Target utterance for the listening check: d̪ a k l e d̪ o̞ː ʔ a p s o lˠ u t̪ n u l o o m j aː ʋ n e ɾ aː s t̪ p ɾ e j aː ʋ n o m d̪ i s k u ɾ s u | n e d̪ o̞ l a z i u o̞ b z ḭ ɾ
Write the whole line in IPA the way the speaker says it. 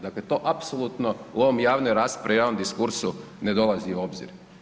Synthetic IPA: d̪ a k l e t̪ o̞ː ʔ a p s o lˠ u t̪ n o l o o m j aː ʋ n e ɾ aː s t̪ p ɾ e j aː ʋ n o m d̪ i s k u ɾ s u | n e d̪ o̞ l a z i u o̞ b z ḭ ɾ